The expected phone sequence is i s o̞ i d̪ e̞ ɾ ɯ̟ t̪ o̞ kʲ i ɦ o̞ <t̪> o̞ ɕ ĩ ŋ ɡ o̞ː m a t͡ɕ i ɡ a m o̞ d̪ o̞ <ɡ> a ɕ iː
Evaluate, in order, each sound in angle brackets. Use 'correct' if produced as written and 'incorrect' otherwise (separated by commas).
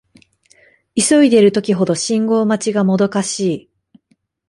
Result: incorrect, incorrect